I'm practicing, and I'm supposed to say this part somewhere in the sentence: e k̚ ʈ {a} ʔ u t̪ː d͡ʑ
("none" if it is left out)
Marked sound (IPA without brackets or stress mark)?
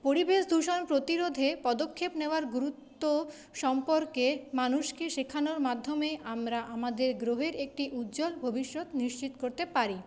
i